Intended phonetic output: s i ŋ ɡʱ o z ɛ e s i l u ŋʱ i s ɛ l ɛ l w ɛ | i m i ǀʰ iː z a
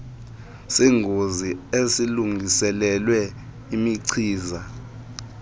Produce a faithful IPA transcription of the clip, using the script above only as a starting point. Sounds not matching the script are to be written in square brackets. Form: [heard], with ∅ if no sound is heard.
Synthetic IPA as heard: s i ŋ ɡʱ o z [i] e s i l u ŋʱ i s ɛ l ɛ l w ɛ | i m i ǀʰ iː z a